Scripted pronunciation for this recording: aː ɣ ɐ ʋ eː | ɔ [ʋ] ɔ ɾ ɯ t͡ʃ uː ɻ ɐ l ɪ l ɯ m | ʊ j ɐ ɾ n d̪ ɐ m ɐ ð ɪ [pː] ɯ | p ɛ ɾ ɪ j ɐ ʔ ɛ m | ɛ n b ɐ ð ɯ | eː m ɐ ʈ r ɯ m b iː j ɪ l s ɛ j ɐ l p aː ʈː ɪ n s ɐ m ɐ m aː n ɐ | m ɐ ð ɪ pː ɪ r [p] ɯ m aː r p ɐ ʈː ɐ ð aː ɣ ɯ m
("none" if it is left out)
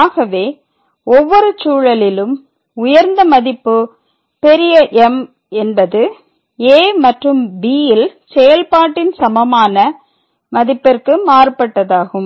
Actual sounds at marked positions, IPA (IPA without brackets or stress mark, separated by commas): ʋː, pː, k